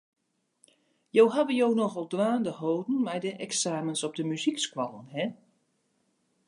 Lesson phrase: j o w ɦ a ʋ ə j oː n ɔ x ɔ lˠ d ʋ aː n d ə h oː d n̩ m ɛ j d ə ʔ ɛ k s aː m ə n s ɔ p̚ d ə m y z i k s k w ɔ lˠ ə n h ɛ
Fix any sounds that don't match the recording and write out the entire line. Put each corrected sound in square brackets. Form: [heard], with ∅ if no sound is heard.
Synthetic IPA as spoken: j o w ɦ a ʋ ə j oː n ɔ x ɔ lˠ d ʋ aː n d ə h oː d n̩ m ɛ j d ə ʔ ɛ k s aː m ə n s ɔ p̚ d ə m y z i k s k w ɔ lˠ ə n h ɛ

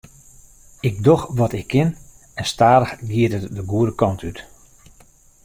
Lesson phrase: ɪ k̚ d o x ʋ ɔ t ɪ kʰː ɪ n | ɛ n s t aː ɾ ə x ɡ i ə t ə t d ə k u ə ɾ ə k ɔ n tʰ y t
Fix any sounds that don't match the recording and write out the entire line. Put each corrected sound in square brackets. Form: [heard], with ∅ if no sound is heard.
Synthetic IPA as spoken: ɪ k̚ d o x ʋ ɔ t ɪ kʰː ɪ n | ɛ n s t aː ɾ ə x ɡ i ə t ə t d ə [ɡ] u ə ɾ ə k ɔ n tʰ y t

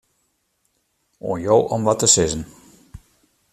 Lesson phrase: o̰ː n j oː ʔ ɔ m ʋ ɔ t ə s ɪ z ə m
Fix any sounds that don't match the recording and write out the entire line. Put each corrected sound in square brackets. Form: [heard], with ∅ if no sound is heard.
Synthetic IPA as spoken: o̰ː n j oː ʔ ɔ m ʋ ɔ t ə s ɪ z ə [n]

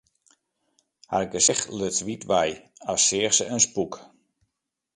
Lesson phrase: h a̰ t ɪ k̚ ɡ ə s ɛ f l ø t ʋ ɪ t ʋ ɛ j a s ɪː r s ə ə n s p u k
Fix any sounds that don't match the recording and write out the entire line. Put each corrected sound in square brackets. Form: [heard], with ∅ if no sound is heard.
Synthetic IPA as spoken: h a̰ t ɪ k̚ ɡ ə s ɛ [x] l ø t ʋ [i] t ʋ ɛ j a s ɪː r s ə ə n s p u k

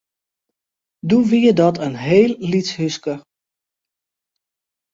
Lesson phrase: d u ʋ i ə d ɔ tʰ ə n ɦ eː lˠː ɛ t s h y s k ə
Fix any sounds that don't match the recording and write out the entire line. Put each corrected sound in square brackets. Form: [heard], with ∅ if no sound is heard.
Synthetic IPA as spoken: d u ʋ i ə d ɔ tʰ ə n ɦ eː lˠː [i] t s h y s k ə

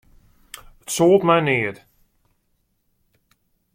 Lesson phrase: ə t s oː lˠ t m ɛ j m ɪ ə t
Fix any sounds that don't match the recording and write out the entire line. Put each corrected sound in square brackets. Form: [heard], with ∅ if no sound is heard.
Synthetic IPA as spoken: ə t s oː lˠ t m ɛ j [n] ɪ ə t

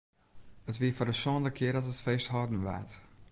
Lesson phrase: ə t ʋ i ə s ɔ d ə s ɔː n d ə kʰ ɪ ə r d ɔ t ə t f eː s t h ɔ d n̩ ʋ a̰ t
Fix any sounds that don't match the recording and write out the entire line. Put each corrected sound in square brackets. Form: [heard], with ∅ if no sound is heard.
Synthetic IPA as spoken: ə t ʋ i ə [f] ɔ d ə s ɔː n d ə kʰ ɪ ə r d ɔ t ə t f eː s t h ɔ d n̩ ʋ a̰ t

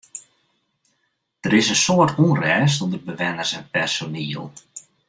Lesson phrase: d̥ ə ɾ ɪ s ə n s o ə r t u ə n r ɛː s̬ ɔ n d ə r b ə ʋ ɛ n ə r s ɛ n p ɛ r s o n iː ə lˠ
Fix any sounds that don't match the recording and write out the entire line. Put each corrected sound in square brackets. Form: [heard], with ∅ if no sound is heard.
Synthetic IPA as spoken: d̥ ə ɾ ɪ s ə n s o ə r t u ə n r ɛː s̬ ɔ n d ə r b ə ʋ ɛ n ə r s ɛ n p ɛ r s o n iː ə lˠ

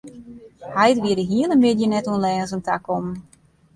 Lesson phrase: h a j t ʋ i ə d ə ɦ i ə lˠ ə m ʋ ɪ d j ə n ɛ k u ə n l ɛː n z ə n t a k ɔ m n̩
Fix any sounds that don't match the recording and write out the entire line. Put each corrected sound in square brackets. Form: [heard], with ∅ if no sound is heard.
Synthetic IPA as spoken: h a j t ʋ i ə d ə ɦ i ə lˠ ə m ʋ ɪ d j ə n ɛ [t] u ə n l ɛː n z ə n t a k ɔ m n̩

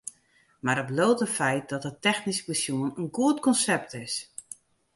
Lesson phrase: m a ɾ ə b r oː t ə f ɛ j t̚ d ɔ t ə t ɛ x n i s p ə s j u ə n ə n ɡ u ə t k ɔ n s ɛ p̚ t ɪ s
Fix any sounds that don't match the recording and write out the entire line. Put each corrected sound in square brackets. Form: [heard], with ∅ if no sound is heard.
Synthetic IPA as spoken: m a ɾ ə b [l] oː t ə f ɛ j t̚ d ɔ t ə t ɛ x n i s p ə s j u ə n ə n ɡ u ə t k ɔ n s ɛ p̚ t ɪ s

